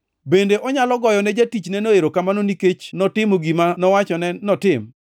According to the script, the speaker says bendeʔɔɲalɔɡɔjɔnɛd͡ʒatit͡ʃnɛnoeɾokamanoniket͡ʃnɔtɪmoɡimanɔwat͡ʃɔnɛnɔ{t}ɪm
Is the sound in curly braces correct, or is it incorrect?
correct